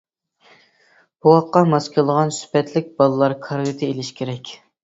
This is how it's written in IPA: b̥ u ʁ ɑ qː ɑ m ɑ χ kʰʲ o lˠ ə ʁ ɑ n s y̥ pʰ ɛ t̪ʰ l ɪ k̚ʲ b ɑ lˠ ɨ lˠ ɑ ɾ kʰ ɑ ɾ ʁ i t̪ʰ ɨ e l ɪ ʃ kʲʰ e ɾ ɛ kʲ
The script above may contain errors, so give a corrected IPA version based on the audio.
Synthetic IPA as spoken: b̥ u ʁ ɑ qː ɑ m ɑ s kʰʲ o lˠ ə ʁ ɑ n s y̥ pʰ ɛ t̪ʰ l ɪ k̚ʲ b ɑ lˠ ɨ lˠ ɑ ɾ kʰ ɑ ɾ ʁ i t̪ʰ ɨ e l ɪ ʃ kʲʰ e ɾ ɛ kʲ